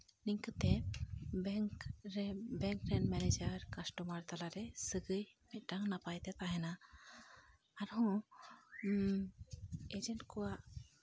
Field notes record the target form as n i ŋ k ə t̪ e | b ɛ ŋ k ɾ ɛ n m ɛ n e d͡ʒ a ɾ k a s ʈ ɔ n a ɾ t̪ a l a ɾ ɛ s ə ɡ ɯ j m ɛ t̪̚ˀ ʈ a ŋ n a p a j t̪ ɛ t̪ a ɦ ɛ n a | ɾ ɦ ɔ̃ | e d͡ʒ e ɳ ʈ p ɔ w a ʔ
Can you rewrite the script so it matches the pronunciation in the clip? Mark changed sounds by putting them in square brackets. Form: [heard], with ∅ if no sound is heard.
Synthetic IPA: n i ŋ k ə t̪ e | b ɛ ŋ k ɾ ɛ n m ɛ n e d͡ʒ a ɾ k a s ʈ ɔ [m] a ɾ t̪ a l a ɾ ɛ s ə ɡ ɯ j m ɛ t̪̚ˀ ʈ a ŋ n a p a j t̪ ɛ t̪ a ɦ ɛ n a | ɾ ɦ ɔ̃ | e d͡ʒ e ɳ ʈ [k] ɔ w a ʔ